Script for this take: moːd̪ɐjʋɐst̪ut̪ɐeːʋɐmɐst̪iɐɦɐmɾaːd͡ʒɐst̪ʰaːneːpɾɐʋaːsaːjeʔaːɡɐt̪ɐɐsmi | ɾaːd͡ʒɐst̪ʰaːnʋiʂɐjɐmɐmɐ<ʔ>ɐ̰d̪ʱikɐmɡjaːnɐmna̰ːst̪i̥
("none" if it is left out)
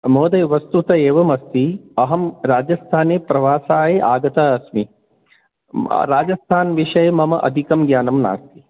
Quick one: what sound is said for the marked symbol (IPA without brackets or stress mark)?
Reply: ʔ